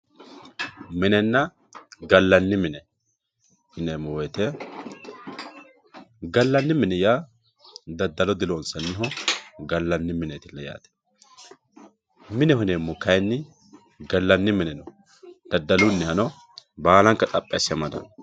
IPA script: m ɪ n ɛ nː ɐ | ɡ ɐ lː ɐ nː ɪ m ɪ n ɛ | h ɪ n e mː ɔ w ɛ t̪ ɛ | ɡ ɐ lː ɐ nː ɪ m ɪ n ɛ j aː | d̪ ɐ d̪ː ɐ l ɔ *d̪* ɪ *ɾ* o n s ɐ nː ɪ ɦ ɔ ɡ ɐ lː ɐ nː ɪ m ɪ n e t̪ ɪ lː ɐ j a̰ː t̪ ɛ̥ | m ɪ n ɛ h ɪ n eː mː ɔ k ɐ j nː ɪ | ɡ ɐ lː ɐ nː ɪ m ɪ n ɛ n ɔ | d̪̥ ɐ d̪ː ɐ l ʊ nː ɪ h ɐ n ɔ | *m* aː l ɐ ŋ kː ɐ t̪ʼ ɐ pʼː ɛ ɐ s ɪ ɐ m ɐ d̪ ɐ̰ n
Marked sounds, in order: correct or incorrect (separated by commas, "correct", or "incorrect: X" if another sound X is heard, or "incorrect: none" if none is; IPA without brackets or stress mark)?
correct, incorrect: l, incorrect: b